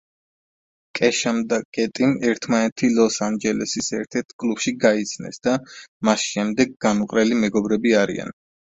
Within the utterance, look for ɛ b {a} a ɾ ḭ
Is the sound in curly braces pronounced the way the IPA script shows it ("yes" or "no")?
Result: no